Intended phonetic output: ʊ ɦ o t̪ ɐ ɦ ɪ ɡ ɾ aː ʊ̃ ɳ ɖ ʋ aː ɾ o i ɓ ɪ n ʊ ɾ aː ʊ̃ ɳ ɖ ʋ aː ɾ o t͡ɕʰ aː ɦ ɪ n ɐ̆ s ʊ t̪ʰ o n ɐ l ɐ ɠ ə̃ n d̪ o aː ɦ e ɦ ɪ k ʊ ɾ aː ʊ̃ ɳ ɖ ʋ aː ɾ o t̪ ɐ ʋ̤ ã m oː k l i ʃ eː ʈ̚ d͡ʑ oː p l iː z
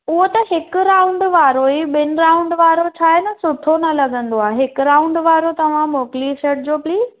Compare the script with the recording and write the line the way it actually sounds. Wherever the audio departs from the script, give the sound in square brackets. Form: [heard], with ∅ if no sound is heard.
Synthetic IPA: ʊ ɦ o t̪ ɐ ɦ ɪ [k] ɾ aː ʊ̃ ɳ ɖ ʋ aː ɾ o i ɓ ɪ n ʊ ɾ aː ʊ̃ ɳ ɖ ʋ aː ɾ o t͡ɕʰ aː ɦ ɪ n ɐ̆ s ʊ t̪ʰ o n ɐ l ɐ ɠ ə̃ n d̪ o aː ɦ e ɦ ɪ k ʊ ɾ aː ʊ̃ ɳ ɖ ʋ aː ɾ o t̪ ɐ ʋ̤ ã m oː k l i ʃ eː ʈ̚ d͡ʑ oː p l iː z